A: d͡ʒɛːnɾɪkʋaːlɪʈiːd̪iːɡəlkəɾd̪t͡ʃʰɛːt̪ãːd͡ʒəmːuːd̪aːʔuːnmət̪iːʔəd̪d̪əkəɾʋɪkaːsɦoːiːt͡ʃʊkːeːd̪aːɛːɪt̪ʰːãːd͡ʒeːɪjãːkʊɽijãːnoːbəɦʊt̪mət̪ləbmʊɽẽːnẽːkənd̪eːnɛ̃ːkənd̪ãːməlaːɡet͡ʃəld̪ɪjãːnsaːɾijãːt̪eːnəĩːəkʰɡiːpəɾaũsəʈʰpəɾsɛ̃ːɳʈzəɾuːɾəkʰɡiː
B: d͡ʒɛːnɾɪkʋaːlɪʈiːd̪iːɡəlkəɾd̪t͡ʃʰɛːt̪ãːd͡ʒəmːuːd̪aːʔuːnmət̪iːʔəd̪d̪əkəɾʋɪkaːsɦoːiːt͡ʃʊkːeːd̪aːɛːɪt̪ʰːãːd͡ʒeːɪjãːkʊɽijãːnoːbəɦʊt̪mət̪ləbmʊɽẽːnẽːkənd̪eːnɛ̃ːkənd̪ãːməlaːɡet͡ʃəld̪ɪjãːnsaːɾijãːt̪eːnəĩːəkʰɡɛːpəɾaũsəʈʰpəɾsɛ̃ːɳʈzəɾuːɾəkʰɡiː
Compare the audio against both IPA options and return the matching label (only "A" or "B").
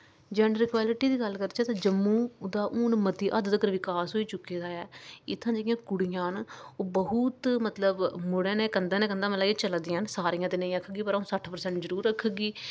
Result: A